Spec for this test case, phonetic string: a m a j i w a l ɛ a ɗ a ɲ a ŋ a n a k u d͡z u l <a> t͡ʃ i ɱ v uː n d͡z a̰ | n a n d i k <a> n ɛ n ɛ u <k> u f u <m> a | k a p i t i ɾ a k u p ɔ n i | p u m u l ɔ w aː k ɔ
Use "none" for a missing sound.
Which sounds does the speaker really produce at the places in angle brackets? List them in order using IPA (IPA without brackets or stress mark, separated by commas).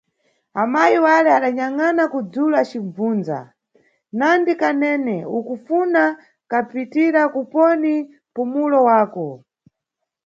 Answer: a, a, k, n